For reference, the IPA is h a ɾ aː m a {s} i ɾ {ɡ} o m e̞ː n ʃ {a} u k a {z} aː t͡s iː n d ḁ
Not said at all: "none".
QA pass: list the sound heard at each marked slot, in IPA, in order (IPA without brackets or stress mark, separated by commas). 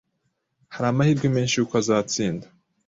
h, ɡ, i, z